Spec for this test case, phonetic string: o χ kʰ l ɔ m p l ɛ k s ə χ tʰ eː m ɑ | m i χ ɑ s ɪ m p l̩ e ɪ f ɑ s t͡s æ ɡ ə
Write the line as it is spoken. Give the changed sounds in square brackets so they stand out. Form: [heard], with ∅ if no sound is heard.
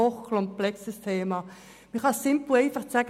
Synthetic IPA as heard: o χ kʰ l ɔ m p l ɛ k s ə [s] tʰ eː m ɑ | m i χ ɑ s ɪ m p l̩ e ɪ f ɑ [χ] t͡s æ ɡ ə